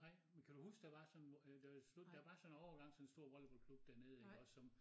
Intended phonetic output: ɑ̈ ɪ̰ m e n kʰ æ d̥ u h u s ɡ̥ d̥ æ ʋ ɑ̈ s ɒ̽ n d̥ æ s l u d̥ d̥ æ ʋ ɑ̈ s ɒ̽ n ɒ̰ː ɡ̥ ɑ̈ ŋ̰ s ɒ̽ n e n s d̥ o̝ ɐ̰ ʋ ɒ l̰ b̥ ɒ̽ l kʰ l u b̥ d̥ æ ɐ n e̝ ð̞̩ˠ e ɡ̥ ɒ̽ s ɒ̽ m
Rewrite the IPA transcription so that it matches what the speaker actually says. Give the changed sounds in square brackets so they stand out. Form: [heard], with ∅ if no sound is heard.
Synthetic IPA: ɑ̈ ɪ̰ m e n kʰ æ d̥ u h u s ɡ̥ d̥ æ ʋ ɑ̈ s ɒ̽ n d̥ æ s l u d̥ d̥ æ ʋ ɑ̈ s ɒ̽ n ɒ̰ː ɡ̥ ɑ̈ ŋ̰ s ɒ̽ n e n s d̥ o̝ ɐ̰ ʋ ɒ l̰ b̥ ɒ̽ l kʰ l u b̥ d̥ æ ɐ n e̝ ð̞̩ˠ e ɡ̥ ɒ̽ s ɒ̽ m